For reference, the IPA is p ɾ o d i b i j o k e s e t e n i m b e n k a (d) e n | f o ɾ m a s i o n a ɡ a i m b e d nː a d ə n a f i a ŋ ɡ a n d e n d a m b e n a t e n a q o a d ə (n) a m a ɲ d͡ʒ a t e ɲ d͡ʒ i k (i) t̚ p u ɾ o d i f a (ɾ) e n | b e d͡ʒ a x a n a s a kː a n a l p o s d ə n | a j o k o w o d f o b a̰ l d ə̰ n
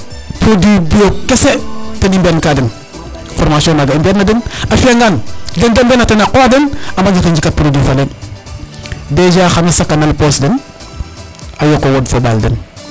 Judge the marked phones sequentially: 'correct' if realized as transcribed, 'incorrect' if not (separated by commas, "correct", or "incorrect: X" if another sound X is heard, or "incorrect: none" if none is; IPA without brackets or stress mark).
correct, correct, incorrect: a, incorrect: l